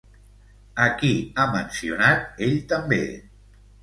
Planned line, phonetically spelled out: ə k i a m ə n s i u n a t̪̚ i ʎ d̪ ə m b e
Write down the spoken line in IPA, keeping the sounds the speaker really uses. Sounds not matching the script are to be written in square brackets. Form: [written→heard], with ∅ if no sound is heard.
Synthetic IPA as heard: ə k i a m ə n s i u n a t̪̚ [i→e] ʎ [d̪→t̪] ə m b e